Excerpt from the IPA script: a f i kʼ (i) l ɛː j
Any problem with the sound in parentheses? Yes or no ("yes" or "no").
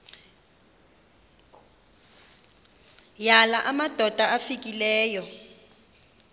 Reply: no